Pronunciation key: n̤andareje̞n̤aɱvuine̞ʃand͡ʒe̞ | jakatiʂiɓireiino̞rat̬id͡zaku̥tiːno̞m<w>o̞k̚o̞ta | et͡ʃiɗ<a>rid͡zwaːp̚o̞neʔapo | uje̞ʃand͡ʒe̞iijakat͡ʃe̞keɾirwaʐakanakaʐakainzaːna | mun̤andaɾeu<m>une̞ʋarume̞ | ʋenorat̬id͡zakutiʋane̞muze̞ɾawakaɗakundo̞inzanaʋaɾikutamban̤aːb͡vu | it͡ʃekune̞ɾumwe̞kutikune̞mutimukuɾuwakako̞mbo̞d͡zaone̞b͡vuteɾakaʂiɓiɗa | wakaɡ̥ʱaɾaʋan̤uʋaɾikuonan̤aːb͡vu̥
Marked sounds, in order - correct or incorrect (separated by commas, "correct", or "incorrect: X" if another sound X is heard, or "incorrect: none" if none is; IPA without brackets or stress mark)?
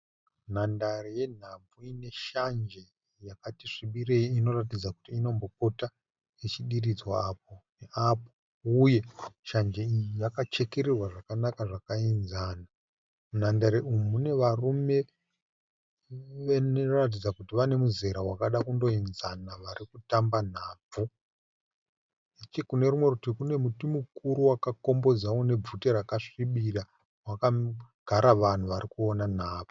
incorrect: b, incorrect: i, correct